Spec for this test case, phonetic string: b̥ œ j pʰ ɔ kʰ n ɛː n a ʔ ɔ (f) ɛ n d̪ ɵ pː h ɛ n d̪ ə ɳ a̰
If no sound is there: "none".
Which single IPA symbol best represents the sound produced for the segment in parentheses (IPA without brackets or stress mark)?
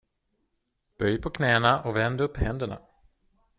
v